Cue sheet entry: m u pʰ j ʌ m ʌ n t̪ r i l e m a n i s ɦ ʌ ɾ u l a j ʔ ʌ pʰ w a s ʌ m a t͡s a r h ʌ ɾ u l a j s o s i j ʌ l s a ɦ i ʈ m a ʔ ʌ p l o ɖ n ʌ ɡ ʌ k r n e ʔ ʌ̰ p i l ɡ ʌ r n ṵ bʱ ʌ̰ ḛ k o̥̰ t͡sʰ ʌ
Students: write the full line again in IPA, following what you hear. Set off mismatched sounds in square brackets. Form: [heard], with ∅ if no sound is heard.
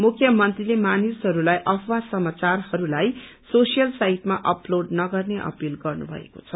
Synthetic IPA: m u [kʰ] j ʌ m ʌ n t̪ r i l e m a n i s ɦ ʌ ɾ u l a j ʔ ʌ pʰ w a s ʌ m a t͡s a r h ʌ ɾ u l a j s o s i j ʌ l s a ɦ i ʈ m a ʔ ʌ p l o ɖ n ʌ ɡ ʌ [∅] r n e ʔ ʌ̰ p i l ɡ ʌ r n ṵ bʱ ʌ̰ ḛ k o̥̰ t͡sʰ ʌ